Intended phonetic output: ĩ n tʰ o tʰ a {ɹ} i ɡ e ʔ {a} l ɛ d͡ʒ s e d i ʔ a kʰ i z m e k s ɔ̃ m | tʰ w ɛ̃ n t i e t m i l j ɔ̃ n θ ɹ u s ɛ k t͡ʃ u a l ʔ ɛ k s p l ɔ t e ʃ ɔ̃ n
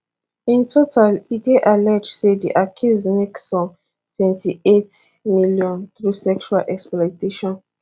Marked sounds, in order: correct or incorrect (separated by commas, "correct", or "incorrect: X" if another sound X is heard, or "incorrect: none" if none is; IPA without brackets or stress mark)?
incorrect: l, correct